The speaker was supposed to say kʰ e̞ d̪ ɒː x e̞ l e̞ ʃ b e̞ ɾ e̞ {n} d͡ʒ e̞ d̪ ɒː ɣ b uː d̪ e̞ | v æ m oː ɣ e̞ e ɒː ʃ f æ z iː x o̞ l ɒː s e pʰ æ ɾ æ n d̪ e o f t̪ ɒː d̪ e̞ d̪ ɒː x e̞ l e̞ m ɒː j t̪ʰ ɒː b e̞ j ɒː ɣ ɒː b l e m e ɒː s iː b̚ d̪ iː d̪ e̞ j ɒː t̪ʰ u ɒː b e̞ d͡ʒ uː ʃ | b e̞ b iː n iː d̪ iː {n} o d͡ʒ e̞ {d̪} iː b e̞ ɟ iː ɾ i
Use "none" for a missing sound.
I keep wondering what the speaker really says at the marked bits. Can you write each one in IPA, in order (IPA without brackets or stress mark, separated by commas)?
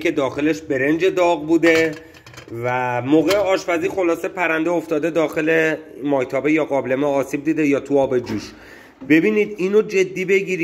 n, n, d̪ː